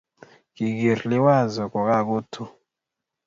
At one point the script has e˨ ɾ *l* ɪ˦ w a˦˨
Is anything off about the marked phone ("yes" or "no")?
no